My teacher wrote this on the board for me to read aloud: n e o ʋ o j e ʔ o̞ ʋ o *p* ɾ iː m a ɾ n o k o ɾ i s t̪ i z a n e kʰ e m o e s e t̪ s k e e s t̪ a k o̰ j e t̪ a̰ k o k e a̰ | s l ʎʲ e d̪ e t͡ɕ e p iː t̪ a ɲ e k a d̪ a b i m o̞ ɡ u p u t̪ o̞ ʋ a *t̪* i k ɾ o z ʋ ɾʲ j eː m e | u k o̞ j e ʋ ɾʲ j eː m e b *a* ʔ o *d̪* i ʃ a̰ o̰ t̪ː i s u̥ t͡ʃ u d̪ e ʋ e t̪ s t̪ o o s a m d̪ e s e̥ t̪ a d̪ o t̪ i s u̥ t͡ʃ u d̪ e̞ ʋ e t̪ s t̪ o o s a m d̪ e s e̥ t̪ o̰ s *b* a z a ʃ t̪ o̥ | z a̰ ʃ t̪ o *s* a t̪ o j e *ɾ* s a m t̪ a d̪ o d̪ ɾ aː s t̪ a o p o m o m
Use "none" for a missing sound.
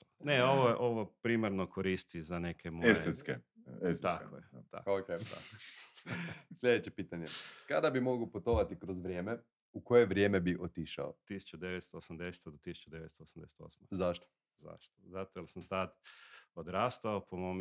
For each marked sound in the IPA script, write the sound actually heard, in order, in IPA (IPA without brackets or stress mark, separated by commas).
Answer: p, t̪, i, t̪, m, z, l